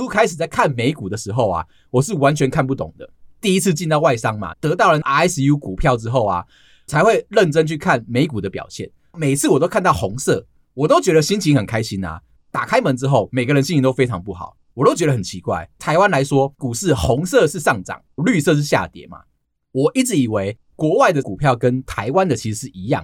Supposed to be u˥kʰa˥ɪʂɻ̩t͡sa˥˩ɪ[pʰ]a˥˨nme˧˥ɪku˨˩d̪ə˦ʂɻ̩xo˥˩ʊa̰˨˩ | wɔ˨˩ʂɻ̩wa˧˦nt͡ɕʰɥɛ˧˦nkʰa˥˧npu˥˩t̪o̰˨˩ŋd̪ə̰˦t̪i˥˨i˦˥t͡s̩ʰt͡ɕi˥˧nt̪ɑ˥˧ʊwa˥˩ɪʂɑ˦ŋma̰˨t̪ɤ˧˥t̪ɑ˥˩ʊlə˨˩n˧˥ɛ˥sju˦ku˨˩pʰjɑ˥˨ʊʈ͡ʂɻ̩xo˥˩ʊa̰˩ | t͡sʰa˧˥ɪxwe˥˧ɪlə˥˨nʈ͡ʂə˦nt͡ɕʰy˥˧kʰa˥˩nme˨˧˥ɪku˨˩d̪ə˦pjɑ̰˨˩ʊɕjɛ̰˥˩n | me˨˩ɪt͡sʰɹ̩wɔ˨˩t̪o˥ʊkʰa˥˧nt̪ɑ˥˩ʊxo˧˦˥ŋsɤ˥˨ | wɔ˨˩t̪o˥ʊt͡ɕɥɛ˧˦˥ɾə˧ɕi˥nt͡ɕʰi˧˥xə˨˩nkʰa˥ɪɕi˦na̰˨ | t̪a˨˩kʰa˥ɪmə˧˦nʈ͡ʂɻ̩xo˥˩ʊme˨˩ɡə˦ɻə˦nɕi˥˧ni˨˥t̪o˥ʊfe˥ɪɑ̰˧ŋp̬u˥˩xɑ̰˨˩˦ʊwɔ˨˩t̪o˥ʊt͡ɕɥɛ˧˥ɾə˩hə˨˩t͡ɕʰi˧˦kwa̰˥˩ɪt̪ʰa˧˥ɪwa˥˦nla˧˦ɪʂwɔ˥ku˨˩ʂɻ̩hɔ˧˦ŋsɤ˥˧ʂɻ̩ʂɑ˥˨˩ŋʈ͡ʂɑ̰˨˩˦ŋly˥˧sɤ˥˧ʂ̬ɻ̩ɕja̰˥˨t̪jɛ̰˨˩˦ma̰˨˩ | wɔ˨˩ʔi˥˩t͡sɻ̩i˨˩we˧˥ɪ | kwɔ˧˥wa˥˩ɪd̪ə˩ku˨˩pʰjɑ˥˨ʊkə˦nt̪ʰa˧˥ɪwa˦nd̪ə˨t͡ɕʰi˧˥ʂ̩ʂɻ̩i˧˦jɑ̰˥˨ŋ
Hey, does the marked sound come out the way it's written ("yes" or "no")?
no